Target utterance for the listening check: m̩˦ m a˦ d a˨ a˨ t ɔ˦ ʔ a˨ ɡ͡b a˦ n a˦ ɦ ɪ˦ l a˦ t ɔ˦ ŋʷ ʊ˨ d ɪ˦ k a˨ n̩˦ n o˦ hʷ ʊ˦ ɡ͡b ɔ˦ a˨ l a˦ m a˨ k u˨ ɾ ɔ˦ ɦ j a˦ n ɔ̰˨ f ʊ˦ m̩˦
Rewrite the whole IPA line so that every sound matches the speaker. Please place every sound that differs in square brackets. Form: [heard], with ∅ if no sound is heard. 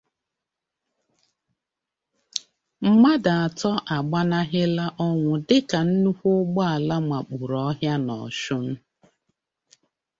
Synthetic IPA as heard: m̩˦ m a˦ d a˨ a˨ t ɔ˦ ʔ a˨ ɡ͡b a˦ n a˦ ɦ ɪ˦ l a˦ [ʔ] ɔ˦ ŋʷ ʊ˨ d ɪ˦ k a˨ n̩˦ n [u˦] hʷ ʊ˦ ɡ͡b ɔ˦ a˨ l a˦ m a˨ [k͡p] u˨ ɾ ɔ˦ ɦ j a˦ n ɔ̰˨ [ʃ] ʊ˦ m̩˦